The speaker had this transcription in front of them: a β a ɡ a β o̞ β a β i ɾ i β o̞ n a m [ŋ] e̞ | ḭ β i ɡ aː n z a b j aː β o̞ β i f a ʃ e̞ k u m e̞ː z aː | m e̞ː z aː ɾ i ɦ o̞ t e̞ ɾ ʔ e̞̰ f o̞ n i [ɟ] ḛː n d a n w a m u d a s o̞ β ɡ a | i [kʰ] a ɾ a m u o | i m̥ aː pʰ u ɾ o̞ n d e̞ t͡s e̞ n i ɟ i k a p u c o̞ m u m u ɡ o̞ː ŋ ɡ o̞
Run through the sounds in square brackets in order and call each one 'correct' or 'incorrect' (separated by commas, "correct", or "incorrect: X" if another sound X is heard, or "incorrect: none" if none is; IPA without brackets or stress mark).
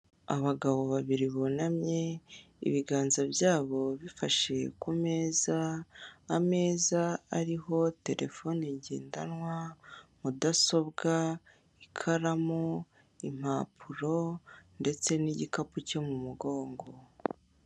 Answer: incorrect: ɲ, correct, correct